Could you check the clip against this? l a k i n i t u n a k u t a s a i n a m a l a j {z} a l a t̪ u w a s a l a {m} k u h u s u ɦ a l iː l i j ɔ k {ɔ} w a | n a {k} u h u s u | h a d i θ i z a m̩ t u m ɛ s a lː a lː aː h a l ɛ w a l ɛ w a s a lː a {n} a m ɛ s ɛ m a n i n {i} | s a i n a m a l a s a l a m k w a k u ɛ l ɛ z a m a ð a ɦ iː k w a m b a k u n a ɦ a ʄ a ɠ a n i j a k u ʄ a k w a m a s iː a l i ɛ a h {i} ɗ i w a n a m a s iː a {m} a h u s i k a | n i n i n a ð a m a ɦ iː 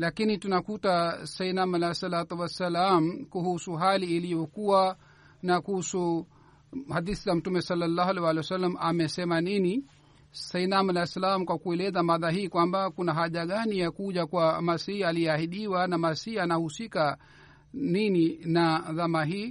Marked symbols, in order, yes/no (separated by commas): no, yes, no, yes, no, yes, yes, no